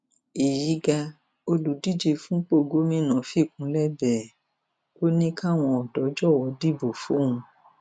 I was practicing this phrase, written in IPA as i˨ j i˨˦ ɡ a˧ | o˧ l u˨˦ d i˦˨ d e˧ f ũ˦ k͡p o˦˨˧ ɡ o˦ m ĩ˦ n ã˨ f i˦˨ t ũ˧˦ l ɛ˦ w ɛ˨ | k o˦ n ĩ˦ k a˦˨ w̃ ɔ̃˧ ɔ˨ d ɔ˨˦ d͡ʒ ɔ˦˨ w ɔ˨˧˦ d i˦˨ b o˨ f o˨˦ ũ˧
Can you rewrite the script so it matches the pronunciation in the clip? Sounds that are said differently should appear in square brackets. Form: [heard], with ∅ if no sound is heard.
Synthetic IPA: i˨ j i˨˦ ɡ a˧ | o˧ l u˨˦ d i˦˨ [d͡ʒ] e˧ f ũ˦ k͡p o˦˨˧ ɡ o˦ m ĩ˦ n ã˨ f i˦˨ [k] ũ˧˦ l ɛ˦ [b] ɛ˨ | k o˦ n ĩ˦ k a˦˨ w̃ ɔ̃˧ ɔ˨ d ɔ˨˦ d͡ʒ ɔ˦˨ w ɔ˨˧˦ d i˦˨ b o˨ f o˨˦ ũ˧